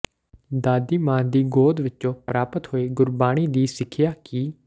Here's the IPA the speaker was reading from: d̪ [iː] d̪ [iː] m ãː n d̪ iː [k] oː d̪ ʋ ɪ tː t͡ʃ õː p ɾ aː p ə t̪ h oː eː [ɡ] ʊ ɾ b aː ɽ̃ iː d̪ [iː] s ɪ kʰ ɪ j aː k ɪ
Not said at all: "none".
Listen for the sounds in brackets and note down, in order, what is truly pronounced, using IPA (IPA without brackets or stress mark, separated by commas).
aː, iː, ɡ, ɡ, iː